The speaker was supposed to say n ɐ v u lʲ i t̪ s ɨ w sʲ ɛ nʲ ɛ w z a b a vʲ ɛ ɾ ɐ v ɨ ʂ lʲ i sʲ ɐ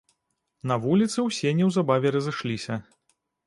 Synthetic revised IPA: n ɐ v u lʲ i t̪ s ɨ w sʲ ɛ nʲ ɛ w z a b a vʲ ɛ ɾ ɐ z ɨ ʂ lʲ i sʲ ɐ